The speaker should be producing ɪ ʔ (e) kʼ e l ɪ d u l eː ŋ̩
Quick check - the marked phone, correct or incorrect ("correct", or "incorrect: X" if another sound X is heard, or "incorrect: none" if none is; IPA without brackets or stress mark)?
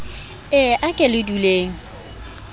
incorrect: a